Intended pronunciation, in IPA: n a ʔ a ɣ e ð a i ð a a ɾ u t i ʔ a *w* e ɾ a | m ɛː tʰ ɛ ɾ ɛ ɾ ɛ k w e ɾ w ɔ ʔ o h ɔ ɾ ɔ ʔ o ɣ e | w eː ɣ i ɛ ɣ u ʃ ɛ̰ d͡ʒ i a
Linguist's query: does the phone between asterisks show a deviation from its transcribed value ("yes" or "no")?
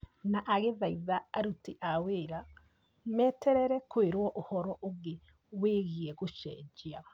no